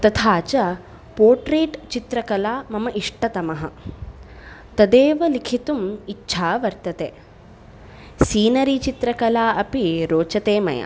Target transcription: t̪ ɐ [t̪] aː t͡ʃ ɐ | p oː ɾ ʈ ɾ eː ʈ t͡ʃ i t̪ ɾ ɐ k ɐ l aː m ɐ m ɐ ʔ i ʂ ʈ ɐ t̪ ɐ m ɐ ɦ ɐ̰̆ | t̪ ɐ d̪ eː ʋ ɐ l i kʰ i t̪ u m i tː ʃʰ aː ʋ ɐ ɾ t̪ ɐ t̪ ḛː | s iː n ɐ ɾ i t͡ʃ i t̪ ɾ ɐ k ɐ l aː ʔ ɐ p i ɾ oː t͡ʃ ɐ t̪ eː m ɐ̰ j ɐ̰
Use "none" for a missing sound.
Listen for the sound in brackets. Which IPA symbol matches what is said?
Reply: t̪ʰ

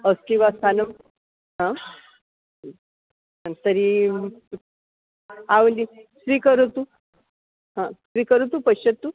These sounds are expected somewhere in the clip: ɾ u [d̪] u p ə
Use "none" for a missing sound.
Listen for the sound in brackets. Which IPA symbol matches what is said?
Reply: t̪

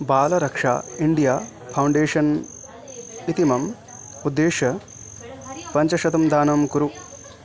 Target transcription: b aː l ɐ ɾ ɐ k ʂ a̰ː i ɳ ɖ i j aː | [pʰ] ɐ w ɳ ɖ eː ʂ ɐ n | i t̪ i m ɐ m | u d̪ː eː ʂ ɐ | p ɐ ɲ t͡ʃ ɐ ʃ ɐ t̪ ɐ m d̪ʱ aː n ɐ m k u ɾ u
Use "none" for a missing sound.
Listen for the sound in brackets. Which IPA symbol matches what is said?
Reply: pʰ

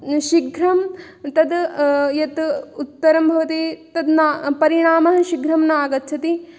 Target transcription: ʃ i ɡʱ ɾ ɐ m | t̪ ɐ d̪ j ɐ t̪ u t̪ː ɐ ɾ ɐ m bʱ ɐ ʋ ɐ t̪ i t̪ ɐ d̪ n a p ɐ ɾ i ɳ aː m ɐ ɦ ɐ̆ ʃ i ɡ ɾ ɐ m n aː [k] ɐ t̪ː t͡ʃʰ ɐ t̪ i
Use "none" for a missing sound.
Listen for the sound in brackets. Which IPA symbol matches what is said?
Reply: ɡ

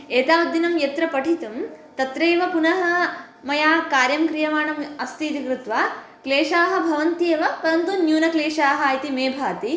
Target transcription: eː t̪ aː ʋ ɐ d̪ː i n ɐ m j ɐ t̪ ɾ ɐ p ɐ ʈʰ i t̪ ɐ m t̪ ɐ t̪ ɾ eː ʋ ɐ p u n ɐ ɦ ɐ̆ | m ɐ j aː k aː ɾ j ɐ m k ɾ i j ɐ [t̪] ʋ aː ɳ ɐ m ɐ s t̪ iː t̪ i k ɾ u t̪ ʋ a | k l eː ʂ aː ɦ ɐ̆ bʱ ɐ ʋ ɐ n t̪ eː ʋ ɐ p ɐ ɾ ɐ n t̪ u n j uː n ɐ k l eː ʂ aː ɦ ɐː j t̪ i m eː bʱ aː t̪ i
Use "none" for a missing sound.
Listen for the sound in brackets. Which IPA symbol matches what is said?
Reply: none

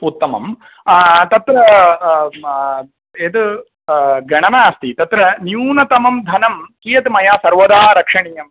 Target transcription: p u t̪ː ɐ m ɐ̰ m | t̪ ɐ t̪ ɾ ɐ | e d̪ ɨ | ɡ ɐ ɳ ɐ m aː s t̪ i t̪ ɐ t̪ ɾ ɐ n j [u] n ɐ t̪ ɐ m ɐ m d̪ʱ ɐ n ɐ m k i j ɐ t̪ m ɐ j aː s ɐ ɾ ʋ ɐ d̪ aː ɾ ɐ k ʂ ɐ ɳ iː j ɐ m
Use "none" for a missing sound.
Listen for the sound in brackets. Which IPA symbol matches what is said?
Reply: uː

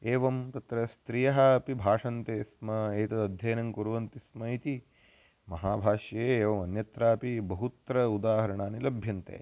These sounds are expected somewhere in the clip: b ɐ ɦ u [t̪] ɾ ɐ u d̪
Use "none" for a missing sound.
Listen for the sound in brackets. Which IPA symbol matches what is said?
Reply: t̪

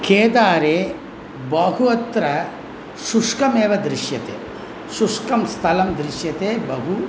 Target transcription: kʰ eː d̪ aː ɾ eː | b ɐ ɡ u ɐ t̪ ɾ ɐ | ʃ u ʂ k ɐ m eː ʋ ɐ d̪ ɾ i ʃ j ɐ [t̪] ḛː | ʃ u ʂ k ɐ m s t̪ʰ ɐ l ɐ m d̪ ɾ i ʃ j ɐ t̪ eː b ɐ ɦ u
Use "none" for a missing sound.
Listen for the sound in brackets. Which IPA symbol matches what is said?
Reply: t̪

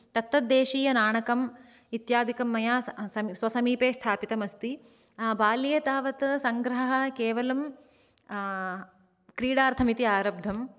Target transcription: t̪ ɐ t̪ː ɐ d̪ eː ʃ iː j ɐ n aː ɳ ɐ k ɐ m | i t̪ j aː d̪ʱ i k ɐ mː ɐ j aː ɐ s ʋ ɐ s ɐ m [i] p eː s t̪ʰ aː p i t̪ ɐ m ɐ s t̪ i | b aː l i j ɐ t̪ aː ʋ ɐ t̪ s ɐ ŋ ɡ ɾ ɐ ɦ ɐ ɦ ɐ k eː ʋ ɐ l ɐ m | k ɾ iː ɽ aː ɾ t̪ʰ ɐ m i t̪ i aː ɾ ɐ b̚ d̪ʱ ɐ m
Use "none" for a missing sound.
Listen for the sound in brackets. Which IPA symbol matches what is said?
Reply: iː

